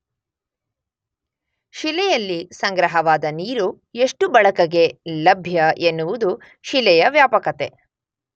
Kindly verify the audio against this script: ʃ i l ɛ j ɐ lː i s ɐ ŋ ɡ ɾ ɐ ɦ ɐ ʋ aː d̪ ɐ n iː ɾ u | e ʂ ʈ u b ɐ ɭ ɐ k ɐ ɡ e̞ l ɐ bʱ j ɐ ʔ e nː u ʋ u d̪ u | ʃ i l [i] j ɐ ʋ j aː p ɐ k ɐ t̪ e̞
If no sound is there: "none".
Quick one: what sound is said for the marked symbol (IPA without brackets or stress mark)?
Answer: ɛ